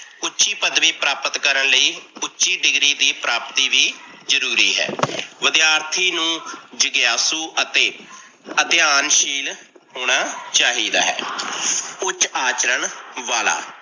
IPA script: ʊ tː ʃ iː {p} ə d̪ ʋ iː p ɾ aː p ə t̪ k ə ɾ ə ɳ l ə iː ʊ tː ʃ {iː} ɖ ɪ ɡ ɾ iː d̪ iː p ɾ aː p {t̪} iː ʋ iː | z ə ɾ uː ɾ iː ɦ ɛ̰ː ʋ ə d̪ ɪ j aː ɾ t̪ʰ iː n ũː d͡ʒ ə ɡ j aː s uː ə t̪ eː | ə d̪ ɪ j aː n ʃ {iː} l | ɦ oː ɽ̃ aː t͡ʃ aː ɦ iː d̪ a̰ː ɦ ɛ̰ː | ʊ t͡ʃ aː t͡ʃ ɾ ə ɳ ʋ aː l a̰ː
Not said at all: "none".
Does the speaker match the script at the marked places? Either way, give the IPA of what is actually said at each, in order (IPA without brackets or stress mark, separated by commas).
p, iː, t̪, iː